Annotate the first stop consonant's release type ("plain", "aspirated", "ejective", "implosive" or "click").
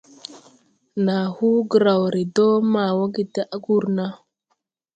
plain